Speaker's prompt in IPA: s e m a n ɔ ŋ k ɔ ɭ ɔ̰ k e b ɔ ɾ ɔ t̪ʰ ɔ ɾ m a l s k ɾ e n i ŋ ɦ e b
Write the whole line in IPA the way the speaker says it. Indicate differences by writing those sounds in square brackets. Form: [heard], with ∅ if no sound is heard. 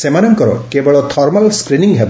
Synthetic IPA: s e m a n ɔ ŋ k ɔ [ɾ] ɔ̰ k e b ɔ [ɭ] ɔ t̪ʰ ɔ ɾ m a l s k ɾ [i] n i ŋ ɦ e b